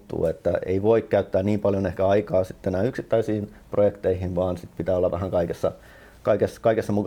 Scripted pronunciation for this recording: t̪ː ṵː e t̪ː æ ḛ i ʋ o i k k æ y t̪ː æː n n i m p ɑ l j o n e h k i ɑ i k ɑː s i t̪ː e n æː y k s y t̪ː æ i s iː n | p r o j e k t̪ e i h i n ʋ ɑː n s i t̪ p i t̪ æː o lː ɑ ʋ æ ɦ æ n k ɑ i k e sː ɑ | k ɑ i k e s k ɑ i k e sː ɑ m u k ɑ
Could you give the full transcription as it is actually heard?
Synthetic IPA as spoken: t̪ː ṵː e t̪ː æ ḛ i ʋ o i k k æ y t̪ː æː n n iː m p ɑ l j o n e h k æ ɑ i k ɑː s i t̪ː e n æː y k s i t̪ː æ i s iː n | p r o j e k t̪ e i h i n ʋ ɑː n s i t̪ p i t̪ æː o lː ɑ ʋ æ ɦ æ ŋ k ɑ i k e sː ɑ | k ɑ i k e s k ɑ i k e sː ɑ m u k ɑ